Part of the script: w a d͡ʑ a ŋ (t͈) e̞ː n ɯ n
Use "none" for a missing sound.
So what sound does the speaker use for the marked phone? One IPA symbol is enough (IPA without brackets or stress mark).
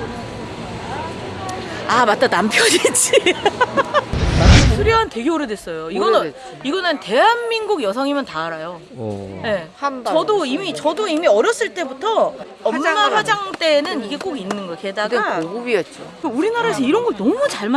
t͈